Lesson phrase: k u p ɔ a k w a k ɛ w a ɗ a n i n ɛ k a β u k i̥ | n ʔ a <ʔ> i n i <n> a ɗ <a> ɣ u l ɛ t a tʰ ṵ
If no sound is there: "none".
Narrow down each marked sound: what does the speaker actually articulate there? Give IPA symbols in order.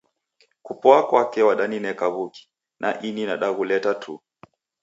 ʔ, n, a

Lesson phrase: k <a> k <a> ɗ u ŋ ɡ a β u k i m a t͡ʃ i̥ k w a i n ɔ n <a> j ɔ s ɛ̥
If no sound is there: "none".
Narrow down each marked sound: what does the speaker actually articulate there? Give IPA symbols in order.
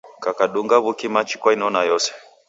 a, a, a

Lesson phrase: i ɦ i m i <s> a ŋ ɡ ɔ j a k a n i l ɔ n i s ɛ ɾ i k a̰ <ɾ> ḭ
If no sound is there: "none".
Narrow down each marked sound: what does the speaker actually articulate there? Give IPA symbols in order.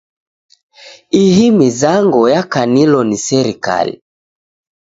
z, l

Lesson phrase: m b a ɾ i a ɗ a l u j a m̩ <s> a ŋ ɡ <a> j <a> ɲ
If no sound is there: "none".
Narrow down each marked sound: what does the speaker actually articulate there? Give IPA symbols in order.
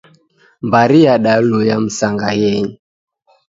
s, a, ɛ

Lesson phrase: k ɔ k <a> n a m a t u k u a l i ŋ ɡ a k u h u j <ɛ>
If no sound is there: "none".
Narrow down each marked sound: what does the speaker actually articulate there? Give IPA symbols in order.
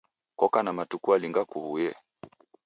a, ɛ

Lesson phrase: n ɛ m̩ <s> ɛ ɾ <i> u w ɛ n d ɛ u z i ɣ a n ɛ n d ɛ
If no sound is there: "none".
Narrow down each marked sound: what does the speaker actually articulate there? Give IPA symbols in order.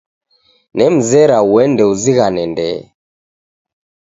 z, a

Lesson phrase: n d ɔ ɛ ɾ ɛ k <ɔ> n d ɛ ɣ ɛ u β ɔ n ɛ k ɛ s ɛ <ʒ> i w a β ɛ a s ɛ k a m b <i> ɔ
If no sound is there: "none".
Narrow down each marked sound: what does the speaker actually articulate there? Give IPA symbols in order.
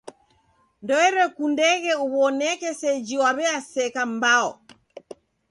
u, d͡ʒ, a

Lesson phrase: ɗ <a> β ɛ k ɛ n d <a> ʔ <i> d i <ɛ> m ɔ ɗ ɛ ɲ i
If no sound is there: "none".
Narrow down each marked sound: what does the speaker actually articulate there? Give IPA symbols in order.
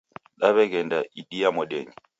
a, a, i, a

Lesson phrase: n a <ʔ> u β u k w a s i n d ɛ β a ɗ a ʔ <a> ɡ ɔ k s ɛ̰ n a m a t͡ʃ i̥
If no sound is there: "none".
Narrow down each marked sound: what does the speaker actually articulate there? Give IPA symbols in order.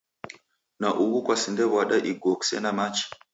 ʔ, i

